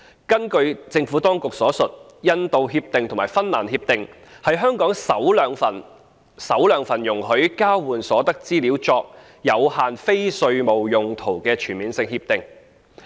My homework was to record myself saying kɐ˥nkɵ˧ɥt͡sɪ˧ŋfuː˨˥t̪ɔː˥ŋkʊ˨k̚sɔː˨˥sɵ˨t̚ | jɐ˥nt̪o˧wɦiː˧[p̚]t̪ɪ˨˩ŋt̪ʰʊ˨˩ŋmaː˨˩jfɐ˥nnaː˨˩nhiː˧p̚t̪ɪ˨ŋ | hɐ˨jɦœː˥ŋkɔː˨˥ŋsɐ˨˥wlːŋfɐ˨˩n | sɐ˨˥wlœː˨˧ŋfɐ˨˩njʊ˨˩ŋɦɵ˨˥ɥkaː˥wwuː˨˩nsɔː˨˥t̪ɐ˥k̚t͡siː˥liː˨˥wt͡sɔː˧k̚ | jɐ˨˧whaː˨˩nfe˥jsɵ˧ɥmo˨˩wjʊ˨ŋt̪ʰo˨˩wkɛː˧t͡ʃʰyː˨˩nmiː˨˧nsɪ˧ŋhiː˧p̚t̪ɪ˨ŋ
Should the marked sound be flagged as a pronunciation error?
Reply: no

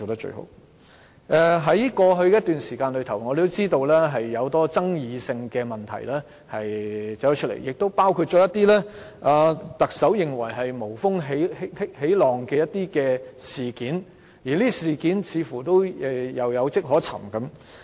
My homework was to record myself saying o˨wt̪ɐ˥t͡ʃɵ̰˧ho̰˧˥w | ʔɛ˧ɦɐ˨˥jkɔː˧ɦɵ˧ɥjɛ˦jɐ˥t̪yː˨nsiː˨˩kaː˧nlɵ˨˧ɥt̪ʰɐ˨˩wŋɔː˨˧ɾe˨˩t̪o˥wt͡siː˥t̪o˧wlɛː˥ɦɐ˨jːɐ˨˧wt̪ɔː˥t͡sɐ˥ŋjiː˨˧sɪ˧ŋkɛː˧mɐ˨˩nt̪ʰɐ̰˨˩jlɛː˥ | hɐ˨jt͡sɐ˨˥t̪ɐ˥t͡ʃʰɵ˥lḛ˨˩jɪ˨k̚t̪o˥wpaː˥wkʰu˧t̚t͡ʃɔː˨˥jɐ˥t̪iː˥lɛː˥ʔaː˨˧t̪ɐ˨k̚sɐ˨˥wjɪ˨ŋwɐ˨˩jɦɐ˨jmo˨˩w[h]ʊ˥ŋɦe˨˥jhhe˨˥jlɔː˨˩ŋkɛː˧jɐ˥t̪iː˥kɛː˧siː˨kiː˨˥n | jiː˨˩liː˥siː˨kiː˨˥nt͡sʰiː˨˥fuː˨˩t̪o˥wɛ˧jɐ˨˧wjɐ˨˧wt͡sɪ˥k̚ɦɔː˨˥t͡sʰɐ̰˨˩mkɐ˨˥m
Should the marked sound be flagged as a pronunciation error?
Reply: yes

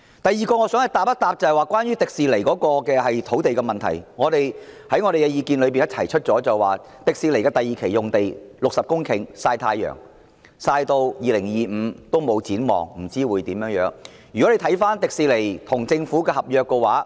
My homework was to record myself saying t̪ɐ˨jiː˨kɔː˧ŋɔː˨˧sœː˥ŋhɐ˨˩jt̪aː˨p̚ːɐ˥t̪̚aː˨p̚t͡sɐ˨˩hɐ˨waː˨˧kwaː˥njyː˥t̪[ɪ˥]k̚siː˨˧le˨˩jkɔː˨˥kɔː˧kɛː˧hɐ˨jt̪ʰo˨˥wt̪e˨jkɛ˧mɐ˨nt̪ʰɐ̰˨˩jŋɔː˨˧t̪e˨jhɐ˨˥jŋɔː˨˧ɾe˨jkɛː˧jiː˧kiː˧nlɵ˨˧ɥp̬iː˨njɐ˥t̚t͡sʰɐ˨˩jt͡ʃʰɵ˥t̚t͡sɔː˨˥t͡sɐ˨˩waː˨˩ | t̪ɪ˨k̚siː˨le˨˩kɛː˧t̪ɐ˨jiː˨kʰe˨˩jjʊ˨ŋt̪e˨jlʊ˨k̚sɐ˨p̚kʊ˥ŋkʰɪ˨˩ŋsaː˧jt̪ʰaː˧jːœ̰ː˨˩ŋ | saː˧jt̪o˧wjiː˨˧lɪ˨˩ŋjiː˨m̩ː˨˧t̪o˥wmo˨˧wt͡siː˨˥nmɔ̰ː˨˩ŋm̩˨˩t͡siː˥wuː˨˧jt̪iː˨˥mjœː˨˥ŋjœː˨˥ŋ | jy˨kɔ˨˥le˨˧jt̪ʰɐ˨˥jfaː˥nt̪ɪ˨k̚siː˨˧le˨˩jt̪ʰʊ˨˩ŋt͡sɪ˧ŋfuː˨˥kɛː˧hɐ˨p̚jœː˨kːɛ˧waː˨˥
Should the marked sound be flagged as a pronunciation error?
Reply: yes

